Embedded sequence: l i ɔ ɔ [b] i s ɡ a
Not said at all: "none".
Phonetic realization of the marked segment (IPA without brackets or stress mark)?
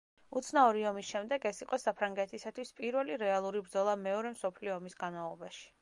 m